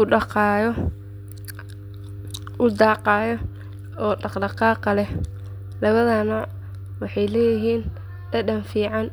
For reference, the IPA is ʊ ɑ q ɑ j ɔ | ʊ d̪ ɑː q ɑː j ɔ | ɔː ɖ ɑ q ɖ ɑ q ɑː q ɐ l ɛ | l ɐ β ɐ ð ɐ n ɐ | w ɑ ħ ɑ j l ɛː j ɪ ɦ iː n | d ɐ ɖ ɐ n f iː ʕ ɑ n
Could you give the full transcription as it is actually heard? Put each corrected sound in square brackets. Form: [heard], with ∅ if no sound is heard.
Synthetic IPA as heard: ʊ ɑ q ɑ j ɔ | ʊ d̪ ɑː q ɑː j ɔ | ɔː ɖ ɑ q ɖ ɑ q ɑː q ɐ l ɛ | l ɐ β ɐ ð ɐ n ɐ | w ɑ ħ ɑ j l ɛː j ɪ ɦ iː n | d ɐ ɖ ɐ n f iː ʕ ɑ n